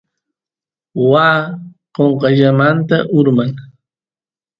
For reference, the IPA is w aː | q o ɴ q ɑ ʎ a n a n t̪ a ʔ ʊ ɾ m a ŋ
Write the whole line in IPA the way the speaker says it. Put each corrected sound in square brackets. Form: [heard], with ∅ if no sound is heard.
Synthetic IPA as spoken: w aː | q o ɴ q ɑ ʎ a [m] a n t̪ a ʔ ʊ ɾ m a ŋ